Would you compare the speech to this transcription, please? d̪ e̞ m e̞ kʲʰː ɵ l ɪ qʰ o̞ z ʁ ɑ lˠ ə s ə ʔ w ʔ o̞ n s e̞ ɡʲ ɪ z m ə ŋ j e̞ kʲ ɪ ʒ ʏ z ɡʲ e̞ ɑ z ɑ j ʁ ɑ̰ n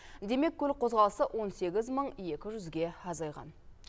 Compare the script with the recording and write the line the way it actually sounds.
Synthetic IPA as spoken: d̪ e̞ m e̞ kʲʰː ɵ l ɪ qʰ o̞ z ʁ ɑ lˠ ə s ə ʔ w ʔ o̞ n s e̞ ɡʲ ɪ z m ə ɴ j e̞ kʲ ɪ ʒ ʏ z ɡʲ e̞ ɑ z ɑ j ʁ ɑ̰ n